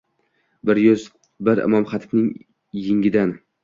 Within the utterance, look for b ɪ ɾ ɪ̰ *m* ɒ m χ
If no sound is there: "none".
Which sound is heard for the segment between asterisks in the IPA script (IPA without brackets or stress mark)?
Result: m